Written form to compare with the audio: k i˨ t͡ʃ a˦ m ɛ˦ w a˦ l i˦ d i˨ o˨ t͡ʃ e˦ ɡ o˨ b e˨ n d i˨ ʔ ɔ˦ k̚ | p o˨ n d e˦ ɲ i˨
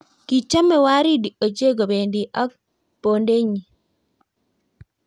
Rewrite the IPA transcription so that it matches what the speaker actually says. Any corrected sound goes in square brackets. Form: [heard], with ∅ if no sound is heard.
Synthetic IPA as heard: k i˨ t͡ʃ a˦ m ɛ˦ w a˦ [ɾ] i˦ d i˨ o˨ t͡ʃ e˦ ɡ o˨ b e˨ n d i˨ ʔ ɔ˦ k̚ | p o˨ n d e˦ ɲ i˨